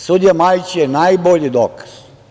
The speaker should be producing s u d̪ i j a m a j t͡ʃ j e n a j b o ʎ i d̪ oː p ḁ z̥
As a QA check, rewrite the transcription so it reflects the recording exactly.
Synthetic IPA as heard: s u d̪ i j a m a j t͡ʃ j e n a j b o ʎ i d̪ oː k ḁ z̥